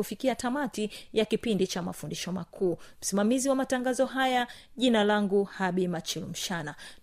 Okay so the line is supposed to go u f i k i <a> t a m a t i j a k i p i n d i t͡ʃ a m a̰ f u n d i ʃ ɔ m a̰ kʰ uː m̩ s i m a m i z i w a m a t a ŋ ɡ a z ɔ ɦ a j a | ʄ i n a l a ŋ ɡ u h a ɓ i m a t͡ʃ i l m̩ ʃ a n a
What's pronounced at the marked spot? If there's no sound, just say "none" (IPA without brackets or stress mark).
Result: a